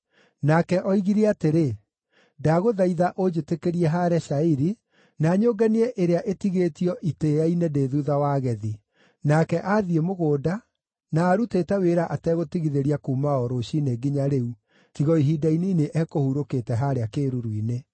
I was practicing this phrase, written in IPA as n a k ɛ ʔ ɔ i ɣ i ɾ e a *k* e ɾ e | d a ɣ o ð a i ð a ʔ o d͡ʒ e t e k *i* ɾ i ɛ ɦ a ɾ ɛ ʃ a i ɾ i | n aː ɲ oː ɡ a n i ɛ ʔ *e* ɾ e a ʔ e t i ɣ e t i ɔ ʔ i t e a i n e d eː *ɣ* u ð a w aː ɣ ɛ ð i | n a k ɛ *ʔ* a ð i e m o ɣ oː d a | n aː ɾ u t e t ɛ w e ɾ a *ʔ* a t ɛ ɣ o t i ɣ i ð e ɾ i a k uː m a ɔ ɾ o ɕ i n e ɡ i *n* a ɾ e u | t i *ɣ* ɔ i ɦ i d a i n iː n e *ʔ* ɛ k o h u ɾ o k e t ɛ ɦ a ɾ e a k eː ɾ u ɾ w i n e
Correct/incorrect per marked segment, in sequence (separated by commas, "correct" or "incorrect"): incorrect, incorrect, correct, incorrect, correct, correct, incorrect, correct, correct